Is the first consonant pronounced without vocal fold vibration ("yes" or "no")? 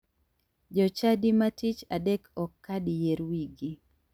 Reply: no